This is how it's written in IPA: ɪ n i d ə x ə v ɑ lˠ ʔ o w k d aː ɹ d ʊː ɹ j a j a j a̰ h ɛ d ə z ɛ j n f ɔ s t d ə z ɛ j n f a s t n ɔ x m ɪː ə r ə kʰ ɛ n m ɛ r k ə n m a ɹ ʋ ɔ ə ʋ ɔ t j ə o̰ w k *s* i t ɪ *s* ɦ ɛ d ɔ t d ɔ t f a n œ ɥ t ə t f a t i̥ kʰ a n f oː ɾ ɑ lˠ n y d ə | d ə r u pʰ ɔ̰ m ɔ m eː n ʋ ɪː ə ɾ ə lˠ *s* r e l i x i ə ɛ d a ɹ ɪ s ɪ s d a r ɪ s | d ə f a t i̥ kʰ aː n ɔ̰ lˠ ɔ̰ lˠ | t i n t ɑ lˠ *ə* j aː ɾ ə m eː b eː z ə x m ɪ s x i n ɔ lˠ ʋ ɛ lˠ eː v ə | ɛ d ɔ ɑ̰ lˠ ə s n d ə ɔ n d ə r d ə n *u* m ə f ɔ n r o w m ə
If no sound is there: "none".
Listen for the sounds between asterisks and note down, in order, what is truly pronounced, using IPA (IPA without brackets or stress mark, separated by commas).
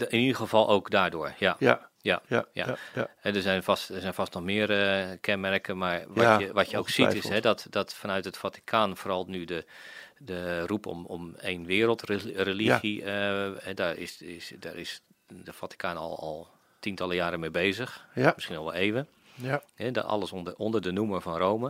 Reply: s, s, t, ə, u